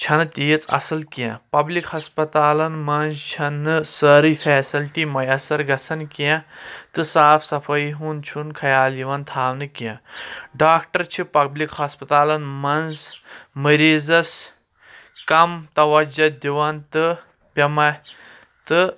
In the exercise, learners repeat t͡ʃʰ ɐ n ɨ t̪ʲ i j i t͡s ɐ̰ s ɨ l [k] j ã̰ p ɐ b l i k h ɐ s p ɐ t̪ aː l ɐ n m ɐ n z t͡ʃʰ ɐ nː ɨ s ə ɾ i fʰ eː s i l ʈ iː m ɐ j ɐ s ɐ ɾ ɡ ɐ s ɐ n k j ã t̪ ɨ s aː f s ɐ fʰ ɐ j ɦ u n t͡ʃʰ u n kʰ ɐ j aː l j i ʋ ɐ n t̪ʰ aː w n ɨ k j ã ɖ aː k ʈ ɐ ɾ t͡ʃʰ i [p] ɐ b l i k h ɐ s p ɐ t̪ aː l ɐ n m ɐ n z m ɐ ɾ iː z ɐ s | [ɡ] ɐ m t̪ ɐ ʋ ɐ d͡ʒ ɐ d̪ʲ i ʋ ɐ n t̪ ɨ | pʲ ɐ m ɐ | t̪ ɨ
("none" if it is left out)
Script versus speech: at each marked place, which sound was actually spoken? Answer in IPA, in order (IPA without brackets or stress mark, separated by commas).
k, p, k